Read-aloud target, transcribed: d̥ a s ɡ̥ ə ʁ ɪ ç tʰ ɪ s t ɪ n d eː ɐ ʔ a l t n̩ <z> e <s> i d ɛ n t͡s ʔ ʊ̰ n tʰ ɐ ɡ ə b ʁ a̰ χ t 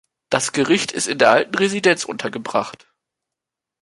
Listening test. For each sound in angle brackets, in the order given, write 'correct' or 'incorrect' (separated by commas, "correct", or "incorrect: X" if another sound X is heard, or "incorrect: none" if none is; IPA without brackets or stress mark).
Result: incorrect: ʁ, incorrect: z